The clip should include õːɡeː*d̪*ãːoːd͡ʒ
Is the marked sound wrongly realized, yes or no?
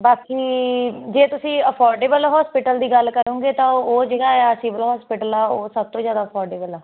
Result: yes